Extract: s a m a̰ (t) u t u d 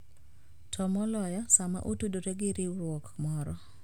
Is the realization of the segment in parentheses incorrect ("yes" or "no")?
yes